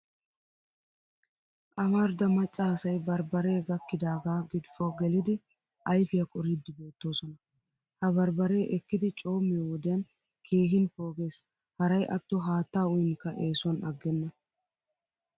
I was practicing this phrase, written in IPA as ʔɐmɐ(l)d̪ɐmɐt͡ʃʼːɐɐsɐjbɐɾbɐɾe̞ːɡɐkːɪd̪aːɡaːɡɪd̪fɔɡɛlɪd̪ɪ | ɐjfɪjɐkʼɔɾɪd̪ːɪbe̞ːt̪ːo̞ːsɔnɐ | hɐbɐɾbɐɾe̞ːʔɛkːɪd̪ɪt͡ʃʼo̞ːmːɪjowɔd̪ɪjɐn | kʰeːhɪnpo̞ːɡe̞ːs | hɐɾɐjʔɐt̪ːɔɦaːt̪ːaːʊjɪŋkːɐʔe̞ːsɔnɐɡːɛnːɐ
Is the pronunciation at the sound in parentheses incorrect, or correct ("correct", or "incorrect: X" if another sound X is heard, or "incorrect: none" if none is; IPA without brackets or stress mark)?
incorrect: ɾ